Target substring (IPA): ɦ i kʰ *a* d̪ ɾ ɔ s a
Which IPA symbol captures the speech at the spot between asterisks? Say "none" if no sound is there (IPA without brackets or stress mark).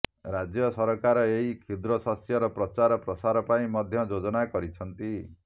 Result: i